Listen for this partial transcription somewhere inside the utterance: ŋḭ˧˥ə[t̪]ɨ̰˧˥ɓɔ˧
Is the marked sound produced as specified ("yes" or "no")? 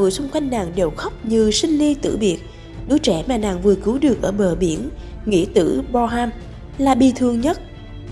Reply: yes